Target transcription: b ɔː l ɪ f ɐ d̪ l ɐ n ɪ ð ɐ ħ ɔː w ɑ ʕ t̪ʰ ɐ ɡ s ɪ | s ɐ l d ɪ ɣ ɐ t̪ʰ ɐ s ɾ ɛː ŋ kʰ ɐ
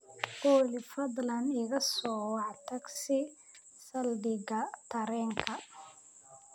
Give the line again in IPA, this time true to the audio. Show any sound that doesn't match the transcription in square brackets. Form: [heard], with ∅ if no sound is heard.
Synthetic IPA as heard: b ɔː l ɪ f ɐ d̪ l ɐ n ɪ [ɣ] ɐ [s] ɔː w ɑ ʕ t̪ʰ ɐ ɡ s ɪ | s ɐ l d ɪ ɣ ɐ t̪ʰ ɐ [∅] ɾ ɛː ŋ kʰ ɐ